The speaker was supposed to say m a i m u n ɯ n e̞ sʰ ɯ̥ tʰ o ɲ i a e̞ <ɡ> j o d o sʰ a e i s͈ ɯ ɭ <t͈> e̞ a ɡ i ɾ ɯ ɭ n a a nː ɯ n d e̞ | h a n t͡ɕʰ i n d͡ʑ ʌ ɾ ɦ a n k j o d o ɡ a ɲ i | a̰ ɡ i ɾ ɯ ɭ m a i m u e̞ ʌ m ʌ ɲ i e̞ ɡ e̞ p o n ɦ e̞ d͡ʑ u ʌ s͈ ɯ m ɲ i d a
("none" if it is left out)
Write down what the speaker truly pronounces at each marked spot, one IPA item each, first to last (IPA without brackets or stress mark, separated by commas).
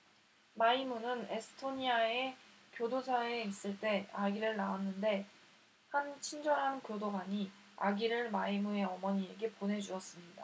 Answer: k, t͈